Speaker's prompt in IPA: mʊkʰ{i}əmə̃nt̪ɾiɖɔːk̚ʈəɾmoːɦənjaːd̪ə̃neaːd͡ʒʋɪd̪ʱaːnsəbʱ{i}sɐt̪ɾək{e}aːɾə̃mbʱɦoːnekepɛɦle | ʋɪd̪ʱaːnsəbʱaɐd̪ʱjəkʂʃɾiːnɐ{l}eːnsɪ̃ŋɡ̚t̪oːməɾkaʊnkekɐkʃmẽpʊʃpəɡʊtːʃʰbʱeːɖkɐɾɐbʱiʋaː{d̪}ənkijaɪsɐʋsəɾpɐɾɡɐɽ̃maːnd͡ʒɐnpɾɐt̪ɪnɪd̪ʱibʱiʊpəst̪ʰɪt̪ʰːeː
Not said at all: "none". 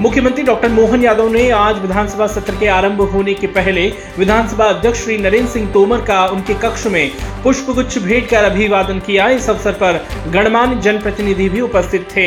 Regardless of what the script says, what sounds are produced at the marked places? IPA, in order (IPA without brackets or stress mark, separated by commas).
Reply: j, a, e, ɾ, d̪